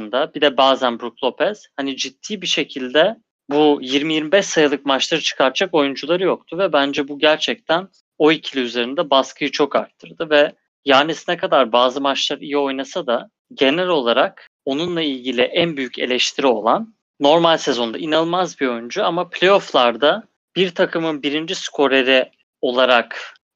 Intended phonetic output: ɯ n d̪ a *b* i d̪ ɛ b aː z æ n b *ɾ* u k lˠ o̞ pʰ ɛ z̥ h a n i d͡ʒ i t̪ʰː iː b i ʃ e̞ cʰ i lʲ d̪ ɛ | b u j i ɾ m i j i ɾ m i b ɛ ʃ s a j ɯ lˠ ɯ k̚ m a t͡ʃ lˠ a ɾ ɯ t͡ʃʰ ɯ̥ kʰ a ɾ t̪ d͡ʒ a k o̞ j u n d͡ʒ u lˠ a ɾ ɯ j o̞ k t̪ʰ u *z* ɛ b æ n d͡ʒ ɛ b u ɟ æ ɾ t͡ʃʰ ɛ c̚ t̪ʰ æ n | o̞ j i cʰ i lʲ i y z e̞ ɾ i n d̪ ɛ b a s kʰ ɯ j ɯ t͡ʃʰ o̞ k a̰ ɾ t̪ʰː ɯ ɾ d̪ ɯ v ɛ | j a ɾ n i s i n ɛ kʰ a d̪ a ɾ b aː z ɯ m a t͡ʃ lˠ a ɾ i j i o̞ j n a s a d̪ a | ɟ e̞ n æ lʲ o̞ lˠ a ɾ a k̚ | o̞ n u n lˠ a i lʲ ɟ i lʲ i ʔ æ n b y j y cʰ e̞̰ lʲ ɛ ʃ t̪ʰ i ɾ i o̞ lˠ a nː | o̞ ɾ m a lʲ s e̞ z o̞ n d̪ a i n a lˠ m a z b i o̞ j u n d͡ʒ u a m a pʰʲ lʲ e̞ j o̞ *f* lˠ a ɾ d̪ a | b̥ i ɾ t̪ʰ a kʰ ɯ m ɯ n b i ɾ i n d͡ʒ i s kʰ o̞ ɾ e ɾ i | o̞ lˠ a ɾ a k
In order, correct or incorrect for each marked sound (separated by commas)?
correct, correct, incorrect, correct